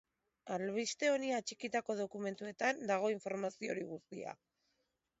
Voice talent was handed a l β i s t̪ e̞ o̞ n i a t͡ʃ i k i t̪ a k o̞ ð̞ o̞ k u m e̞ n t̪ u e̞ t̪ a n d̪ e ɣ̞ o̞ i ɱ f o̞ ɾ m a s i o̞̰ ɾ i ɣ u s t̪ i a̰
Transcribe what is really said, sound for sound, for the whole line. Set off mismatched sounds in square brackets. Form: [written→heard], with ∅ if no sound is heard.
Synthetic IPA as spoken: a l β i s t̪ e̞ o̞ n i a t͡ʃ i k i t̪ a k o̞ ð̞ o̞ k u m e̞ n t̪ u e̞ t̪ a n d̪ [e→a] ɣ̞ o̞ i ɱ f o̞ ɾ m a s i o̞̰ ɾ i ɣ u s t̪ i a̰